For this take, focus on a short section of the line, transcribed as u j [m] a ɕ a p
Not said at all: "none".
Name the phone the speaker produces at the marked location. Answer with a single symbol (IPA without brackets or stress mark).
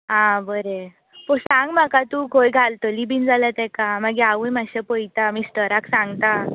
m